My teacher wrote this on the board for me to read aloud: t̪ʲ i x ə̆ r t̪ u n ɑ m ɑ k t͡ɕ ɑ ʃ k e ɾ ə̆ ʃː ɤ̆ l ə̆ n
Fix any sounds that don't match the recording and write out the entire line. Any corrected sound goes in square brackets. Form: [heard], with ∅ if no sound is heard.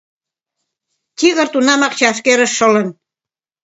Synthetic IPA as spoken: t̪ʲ i [ɣ] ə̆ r t̪ u n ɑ m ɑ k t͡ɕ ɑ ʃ k e ɾ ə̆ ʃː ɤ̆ l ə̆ n